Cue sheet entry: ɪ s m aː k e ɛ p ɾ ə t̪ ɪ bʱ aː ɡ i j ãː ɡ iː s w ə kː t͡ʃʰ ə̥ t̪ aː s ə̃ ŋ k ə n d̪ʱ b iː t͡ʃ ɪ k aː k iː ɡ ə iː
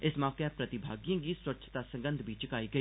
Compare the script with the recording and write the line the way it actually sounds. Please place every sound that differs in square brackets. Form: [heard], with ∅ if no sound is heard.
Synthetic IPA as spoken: ɪ s m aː k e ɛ p ɾ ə t̪ ɪ bʱ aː ɡ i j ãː ɡ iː s w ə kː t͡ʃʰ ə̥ t̪ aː s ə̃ ŋ [ɡ] ə n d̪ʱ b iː t͡ʃ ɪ k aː [∅] iː ɡ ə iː